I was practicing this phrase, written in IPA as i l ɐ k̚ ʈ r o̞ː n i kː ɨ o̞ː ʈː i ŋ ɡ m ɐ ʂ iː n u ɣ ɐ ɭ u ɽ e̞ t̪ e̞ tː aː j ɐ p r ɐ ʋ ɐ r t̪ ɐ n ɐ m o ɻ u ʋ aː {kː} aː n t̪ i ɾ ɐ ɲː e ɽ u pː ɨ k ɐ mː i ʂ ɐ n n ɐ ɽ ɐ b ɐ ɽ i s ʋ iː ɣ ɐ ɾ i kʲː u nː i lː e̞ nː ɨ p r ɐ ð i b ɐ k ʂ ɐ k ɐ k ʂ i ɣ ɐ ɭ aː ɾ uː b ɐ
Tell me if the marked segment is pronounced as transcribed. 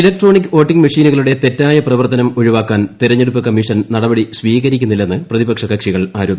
yes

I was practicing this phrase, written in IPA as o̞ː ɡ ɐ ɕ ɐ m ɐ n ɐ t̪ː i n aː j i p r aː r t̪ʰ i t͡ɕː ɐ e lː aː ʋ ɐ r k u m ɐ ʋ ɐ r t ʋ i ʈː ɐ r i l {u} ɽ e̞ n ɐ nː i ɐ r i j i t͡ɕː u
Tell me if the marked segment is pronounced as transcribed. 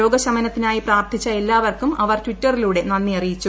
no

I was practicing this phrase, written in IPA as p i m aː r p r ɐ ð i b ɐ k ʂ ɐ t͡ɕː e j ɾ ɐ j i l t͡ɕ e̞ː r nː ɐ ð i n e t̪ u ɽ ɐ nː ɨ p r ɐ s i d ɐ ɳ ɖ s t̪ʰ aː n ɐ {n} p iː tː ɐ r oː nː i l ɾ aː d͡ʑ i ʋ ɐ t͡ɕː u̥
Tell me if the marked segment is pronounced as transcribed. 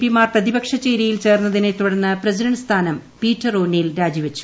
no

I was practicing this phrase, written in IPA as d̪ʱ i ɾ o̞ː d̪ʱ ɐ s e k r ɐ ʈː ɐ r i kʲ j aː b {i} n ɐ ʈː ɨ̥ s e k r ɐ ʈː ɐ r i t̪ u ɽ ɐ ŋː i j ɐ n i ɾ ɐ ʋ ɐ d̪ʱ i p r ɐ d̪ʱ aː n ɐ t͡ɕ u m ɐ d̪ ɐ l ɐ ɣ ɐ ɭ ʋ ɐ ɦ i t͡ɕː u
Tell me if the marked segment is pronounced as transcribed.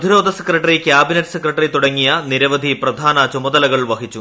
yes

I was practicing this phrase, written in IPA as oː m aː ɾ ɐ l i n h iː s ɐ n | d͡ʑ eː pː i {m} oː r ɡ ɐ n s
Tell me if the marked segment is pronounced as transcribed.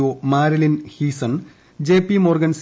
yes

